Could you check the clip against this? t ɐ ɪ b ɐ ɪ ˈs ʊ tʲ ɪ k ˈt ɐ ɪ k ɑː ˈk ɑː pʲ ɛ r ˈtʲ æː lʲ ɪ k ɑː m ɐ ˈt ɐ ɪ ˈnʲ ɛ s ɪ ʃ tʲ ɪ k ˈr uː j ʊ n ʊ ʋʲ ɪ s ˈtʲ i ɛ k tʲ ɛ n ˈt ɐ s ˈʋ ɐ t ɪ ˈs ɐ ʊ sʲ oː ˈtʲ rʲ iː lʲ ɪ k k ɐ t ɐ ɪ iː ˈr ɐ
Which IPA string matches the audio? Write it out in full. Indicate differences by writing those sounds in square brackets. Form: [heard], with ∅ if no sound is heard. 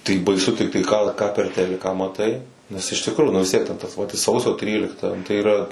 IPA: t ɐ ɪ b ɐ ɪ ˈs ʊ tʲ ɪ k ˈt ɐ ɪ k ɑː ˈk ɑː pʲ ɛ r ˈtʲ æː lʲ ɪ k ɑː m ɐ ˈt ɐ ɪ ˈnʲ ɛ s ɪ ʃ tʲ ɪ k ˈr uː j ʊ n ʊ ʋʲ ɪ s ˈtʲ i ɛ k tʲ ɛ n ˈt ɐ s ˈʋ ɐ t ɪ ˈs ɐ ʊ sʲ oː ˈtʲ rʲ iː lʲ ɪ k [t] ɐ t ɐ ɪ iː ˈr ɐ